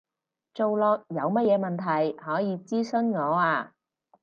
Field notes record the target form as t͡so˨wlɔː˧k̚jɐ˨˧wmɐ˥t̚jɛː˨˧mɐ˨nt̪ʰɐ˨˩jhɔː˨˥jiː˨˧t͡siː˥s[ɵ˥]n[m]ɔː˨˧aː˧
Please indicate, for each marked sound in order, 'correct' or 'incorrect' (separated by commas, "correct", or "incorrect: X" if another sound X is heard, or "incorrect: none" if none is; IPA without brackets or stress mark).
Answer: correct, incorrect: ŋ